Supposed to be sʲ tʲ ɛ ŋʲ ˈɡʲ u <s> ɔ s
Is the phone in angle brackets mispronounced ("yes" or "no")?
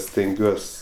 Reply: yes